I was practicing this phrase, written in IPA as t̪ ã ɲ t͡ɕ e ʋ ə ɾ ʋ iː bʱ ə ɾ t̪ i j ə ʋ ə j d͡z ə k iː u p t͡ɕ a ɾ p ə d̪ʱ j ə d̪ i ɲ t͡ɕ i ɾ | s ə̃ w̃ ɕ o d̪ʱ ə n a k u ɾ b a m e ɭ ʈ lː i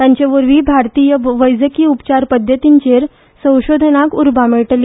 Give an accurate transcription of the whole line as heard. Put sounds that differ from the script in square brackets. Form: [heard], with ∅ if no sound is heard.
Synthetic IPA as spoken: t̪ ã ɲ t͡ɕ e ʋ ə ɾ ʋ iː bʱ [a] ɾ t̪ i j ə ʋ ə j d͡z ə k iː u p t͡ɕ a ɾ p ə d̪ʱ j ə [t̪] i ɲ t͡ɕ [e] ɾ | s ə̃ w̃ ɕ o d̪ʱ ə n a k u ɾ b a m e ɭ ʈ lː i